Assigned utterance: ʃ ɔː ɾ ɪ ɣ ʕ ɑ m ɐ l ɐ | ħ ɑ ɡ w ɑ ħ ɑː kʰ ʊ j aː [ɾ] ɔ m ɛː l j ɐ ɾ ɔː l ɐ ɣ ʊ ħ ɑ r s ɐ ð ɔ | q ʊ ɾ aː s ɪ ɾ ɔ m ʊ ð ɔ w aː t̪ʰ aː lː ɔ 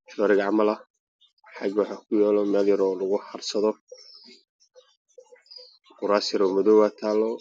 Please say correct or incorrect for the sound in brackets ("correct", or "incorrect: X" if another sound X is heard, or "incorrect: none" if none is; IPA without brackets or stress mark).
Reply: incorrect: l